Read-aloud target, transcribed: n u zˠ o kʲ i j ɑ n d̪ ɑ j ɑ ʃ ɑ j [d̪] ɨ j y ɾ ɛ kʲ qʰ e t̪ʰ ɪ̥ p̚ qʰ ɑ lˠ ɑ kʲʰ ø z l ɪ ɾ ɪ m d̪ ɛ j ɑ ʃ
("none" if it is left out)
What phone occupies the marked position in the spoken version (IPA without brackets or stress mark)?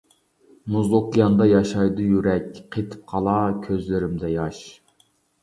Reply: d̪